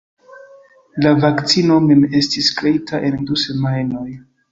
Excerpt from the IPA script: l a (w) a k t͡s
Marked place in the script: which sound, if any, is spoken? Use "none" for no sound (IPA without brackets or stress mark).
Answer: v